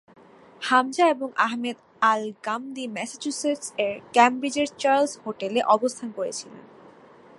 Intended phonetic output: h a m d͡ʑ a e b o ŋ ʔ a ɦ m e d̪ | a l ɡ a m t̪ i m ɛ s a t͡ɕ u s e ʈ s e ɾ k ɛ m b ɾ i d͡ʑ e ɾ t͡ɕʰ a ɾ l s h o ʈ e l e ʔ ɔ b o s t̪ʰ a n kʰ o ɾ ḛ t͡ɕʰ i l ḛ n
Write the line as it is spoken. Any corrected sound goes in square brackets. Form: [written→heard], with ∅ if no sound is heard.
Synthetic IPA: h a m d͡ʑ a e b o ŋ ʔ a ɦ m e d̪ | a l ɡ a m [t̪→d̪] i m ɛ s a t͡ɕ u s e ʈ s e ɾ k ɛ m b ɾ i d͡ʑ e ɾ [t͡ɕʰ→t͡ɕ] a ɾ l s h o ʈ e l e ʔ ɔ b o s t̪ʰ a n [kʰ→k] o ɾ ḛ t͡ɕʰ i l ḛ n